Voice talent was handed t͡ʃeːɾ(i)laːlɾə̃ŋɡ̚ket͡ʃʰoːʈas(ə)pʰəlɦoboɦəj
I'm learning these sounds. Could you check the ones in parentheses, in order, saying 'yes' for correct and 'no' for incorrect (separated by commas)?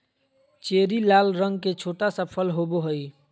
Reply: yes, yes